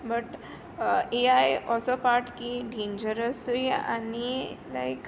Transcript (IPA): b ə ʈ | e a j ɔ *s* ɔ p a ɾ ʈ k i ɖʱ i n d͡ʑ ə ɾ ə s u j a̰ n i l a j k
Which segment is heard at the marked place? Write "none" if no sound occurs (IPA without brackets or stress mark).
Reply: s